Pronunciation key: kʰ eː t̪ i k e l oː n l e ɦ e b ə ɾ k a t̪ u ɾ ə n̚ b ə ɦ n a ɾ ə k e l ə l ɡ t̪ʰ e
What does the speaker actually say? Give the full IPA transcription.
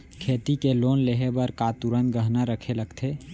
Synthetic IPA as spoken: kʰ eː t̪ i k e l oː n l e ɦ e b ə ɾ k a t̪ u ɾ ə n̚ ɡ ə ɦ n a ɾ ə kʰ e l ə ɡ t̪ʰ e